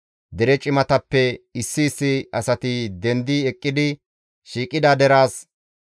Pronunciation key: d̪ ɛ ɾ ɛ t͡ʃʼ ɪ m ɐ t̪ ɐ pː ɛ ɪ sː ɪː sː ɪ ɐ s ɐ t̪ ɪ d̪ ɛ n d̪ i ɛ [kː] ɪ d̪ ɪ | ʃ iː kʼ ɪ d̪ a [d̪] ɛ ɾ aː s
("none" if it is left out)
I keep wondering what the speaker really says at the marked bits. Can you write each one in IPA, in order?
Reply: kʼː, d̪

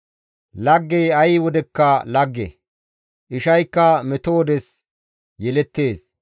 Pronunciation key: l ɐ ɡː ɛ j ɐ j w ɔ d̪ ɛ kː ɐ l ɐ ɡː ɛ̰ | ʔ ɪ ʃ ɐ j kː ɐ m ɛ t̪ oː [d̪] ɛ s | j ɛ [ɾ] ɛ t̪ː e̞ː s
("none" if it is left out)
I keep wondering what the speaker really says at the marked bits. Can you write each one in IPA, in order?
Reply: d̪, l

